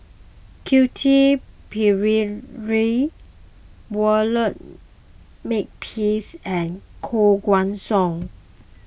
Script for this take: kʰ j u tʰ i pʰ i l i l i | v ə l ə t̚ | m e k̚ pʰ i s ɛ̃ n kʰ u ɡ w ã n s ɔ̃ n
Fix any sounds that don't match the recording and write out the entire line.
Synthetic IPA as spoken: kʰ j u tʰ i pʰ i ɹ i ɹ i | w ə l ə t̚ | m e k̚ pʰ i s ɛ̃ n kʰ o ɡ w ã n s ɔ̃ ŋ